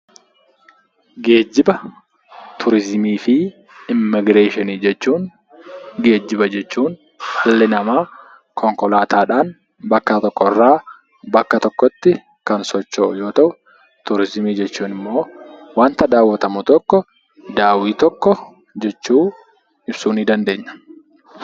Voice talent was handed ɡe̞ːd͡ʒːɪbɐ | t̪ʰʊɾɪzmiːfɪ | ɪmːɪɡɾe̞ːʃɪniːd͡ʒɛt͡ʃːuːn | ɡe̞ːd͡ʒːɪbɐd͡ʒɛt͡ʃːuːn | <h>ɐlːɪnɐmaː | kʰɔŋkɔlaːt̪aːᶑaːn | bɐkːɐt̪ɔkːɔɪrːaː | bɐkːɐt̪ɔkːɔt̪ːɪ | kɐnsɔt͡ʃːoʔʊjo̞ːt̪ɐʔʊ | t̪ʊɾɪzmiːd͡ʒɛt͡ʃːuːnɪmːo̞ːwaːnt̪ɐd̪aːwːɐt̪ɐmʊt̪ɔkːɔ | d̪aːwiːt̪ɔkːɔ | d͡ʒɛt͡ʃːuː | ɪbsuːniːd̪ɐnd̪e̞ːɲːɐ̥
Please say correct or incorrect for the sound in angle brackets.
correct